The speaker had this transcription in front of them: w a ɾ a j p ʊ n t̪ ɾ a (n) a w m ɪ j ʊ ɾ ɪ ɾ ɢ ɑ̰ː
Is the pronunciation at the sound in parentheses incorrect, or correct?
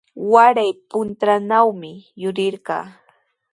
correct